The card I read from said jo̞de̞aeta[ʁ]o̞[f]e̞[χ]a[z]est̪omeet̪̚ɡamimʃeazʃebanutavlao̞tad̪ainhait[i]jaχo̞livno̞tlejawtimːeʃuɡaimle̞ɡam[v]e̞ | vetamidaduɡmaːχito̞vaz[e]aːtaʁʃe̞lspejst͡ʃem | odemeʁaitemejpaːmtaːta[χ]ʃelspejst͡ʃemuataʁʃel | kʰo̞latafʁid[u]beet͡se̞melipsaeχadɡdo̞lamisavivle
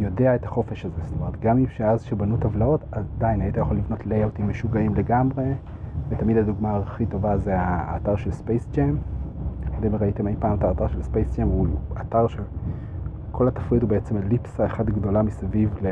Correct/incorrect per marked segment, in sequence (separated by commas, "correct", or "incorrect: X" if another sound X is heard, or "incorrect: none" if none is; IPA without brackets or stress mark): incorrect: χ, correct, incorrect: ʃ, correct, incorrect: a, incorrect: ʁ, correct, incorrect: ʁ, correct